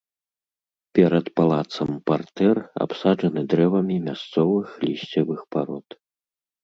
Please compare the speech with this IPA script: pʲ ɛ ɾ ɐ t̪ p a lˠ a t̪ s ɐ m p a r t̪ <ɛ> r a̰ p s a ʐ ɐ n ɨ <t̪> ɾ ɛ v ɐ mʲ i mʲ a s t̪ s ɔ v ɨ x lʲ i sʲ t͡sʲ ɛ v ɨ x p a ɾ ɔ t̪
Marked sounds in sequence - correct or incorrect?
correct, incorrect: d̪

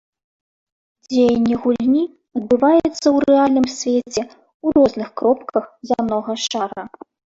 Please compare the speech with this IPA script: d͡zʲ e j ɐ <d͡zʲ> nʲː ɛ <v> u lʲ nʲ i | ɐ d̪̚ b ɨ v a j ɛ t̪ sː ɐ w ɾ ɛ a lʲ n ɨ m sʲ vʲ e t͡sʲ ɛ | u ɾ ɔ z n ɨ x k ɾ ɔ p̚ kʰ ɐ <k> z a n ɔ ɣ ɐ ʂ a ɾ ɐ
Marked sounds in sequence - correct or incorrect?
incorrect: none, incorrect: ɣ, incorrect: x

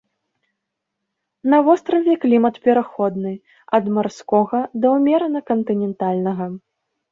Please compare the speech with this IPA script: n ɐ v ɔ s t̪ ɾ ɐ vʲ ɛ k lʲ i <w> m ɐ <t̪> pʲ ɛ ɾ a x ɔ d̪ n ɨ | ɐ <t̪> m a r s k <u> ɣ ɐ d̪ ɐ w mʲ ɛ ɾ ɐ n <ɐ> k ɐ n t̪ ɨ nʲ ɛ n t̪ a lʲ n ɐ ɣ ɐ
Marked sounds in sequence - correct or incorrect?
incorrect: none, correct, incorrect: d̪, incorrect: ɔ, correct

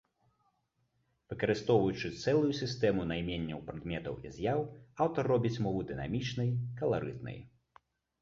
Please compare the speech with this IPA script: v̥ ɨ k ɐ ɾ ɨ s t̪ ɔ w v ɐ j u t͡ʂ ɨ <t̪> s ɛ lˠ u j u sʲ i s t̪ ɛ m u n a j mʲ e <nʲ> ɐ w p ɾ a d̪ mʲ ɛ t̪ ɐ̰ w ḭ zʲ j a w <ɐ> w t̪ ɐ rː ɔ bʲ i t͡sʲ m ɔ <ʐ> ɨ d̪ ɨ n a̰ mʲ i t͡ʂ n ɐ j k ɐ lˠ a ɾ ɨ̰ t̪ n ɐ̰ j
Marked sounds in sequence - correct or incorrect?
correct, incorrect: nʲː, incorrect: a, incorrect: v

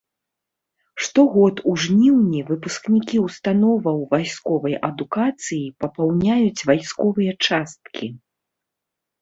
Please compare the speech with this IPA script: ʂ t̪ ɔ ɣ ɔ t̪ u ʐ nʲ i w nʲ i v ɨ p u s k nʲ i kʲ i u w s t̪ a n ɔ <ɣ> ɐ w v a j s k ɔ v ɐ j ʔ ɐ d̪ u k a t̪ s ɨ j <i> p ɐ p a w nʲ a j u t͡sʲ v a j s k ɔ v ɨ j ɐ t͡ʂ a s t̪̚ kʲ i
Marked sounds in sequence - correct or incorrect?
incorrect: v, correct

